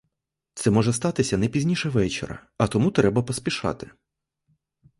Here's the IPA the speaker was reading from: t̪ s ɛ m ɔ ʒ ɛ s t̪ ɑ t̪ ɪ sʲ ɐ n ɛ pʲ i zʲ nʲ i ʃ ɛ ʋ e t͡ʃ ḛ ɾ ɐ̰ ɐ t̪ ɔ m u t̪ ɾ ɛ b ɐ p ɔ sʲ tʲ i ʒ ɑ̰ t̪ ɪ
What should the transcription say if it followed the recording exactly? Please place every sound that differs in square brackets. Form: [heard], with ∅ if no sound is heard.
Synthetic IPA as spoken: t̪ s ɛ m ɔ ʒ ɛ s t̪ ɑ t̪ ɪ sʲ ɐ n ɛ pʲ i zʲ nʲ i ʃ ɛ ʋ [ɛ] t͡ʃ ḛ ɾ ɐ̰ ɐ t̪ ɔ m u t̪ ɾ ɛ b ɐ p ɔ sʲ [pʲ] i [ʃ] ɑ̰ t̪ ɪ